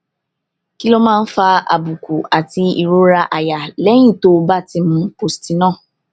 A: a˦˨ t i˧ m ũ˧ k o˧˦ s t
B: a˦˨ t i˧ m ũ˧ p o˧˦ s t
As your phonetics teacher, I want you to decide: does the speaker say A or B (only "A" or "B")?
B